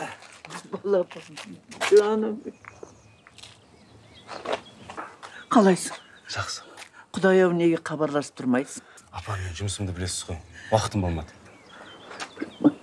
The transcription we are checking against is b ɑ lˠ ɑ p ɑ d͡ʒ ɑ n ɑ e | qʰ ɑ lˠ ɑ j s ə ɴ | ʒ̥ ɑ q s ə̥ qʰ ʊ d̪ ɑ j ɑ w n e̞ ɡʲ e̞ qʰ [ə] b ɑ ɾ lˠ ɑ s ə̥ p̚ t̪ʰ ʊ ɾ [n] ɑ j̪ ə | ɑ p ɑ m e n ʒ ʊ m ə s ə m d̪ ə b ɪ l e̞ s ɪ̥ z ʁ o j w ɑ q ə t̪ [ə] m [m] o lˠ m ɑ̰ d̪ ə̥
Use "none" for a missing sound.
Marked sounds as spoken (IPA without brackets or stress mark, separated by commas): ɑ, m, ə, b